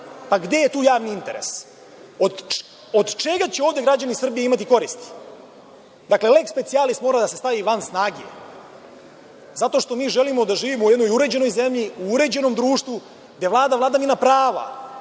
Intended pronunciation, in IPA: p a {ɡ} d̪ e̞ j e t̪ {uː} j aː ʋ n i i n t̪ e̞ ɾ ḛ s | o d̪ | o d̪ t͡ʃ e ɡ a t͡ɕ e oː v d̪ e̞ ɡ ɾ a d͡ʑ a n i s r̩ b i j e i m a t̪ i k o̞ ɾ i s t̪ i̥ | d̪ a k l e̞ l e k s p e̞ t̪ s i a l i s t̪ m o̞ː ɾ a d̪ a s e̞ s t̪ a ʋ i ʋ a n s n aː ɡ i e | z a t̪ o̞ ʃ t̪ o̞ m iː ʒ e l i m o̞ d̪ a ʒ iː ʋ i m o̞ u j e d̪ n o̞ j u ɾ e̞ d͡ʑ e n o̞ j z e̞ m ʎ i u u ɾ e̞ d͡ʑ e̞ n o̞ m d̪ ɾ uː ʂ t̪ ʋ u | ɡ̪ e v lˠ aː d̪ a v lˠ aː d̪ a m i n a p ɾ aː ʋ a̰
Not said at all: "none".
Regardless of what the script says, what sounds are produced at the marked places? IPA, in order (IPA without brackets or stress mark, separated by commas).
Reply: ɡ, uː